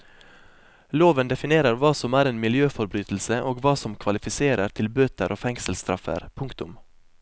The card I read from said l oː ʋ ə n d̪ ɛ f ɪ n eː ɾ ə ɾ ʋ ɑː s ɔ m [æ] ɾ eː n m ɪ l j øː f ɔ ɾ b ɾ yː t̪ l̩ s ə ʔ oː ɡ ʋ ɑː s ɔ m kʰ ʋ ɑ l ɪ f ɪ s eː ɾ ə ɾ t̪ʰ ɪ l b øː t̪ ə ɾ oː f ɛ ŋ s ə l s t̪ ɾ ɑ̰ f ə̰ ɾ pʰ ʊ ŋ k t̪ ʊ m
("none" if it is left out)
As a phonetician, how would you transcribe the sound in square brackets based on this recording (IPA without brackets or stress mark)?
æː